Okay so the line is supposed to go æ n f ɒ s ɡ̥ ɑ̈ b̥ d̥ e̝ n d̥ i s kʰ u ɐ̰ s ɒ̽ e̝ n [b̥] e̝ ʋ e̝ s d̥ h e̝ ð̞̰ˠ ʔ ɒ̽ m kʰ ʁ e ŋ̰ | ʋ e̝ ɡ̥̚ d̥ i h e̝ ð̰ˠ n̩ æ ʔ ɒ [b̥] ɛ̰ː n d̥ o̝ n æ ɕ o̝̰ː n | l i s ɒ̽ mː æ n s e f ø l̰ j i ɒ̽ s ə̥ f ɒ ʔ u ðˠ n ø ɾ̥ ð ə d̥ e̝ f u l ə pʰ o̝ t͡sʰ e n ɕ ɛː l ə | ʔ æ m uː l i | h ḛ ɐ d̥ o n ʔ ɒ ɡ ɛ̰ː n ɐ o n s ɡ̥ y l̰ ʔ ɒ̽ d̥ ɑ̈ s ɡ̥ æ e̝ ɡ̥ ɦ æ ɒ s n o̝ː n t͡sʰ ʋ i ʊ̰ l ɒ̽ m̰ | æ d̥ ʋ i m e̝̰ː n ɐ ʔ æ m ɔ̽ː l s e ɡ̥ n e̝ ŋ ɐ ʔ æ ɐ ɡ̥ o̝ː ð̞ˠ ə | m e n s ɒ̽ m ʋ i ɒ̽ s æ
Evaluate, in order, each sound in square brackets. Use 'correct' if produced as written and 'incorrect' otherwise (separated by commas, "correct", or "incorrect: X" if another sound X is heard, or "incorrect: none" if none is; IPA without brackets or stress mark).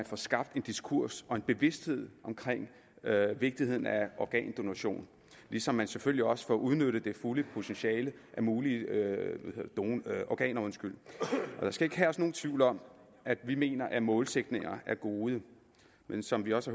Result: correct, incorrect: ɡ̥